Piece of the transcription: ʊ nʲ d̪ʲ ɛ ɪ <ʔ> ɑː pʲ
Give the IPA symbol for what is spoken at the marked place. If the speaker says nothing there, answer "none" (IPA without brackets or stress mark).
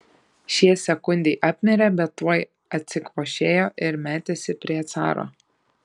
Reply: ʔ